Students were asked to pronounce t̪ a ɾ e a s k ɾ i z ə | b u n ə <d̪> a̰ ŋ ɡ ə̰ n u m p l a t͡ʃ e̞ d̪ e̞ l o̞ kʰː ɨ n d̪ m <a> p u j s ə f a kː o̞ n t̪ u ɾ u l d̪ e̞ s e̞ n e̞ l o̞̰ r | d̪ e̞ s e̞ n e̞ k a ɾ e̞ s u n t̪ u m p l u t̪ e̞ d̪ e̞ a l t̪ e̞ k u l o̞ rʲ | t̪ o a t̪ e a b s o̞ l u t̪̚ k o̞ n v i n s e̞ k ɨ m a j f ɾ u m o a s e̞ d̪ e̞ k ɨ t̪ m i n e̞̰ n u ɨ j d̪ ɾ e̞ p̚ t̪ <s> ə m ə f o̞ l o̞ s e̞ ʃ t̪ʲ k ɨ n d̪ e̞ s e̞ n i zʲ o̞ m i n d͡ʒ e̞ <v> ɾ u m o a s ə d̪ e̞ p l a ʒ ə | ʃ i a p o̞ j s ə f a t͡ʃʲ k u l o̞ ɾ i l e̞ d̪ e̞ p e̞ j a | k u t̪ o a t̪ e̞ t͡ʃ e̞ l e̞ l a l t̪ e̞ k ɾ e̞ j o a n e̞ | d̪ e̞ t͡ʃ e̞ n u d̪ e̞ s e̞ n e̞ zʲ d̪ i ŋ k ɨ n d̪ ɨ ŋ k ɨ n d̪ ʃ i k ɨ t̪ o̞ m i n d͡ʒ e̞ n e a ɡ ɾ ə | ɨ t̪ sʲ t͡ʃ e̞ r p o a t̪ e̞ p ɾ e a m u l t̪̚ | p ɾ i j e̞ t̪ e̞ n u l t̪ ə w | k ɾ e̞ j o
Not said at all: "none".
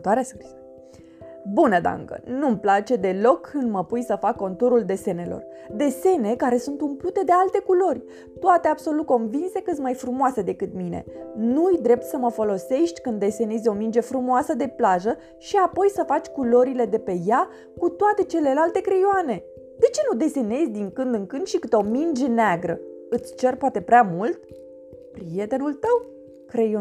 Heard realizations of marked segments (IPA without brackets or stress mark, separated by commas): d̪, ə, s, f